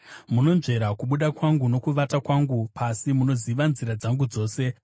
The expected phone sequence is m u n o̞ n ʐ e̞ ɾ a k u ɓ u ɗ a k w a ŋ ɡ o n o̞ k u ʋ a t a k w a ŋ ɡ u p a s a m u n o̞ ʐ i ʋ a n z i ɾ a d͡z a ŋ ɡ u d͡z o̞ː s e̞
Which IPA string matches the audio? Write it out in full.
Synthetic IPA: m u n o̞ n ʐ e̞ ɾ a k u ɓ u ɗ a k w a ŋ ɡ u n o̞ k u ʋ a t a k w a ŋ ɡ u p a s i m u n o̞ z i ʋ a n z i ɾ a d͡z a ŋ ɡ u d͡z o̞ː s e̞